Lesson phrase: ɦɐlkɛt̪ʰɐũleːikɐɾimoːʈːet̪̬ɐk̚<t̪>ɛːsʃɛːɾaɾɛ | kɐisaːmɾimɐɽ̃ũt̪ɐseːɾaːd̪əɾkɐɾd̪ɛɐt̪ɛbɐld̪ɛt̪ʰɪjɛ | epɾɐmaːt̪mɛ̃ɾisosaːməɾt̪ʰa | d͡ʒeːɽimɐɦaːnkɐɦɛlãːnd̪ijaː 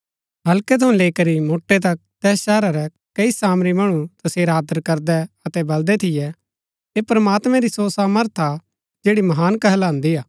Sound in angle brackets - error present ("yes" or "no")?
no